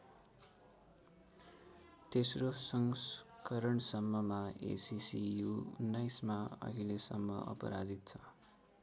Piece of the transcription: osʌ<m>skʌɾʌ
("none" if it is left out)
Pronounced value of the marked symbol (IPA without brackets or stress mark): ŋ